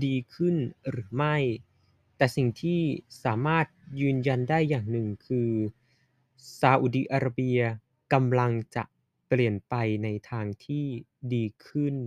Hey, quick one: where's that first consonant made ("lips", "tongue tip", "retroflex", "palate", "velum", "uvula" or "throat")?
tongue tip